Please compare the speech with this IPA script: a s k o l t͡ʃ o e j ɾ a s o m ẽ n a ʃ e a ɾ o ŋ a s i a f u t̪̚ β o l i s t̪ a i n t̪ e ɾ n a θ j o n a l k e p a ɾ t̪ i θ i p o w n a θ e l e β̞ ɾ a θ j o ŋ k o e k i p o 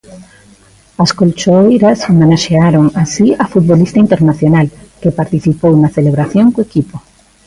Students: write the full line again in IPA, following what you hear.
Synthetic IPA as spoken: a s k o l t͡ʃ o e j ɾ a s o m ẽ n a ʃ e a ɾ o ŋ a s i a f u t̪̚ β o l i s t̪ a i n t̪ e ɾ n a θ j o n a l k e p a ɾ t̪ i θ i p o w n a θ e l e β̞ ɾ a θ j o ŋ k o e k i p o